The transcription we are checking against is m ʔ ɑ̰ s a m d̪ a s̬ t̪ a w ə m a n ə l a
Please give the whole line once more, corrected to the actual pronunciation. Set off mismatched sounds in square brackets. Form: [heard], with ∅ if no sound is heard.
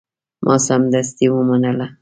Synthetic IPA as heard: m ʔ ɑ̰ s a m d̪ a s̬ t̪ [i] w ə m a n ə l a